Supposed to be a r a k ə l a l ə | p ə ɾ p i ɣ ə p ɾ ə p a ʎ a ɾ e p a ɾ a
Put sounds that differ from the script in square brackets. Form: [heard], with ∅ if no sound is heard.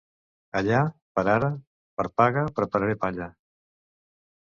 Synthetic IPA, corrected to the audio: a [ʎ] a [p] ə [ɾ] a [ɾ] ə | p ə ɾ p [a] ɣ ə p ɾ ə p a [ɾ] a ɾ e p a [ʎ] a